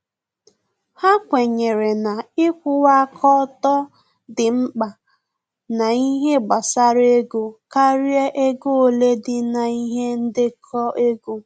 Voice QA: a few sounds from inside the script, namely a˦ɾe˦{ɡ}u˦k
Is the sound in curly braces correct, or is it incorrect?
correct